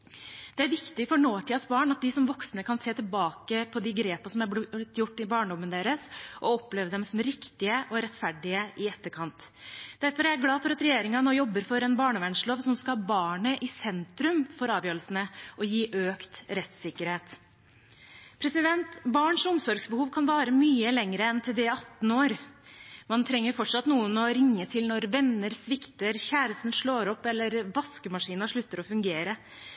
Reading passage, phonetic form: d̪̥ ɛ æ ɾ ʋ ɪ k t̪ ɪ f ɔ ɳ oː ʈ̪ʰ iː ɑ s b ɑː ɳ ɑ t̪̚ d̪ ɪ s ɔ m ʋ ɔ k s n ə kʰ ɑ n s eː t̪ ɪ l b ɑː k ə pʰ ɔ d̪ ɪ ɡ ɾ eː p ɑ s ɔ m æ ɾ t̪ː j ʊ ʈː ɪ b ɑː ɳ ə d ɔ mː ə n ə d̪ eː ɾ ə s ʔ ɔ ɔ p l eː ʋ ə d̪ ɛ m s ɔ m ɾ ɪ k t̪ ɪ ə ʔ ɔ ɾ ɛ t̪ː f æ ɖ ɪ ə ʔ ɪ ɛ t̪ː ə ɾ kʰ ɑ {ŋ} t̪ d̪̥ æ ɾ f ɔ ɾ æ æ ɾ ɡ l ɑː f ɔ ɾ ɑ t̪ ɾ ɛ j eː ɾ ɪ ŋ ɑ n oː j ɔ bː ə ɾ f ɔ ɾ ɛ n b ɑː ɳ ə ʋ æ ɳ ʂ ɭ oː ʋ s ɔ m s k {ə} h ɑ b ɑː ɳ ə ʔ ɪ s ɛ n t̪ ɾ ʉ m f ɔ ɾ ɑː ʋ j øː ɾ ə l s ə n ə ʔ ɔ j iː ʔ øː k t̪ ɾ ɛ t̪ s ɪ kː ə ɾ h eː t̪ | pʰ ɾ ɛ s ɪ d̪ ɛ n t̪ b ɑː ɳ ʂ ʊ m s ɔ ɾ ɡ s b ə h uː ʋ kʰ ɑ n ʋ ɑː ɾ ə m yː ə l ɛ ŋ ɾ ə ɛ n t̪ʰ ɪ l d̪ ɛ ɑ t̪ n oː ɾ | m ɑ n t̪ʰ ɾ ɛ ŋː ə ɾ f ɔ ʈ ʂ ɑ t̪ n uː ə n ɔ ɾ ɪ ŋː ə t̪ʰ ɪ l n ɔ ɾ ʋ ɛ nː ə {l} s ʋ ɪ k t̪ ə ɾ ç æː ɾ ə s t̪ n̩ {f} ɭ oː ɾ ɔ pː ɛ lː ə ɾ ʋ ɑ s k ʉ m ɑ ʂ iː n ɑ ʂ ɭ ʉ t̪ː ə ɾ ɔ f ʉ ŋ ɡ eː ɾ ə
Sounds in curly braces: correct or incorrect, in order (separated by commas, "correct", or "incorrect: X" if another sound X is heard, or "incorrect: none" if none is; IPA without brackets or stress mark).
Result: incorrect: n, incorrect: ɑ, incorrect: ɾ, incorrect: ʂ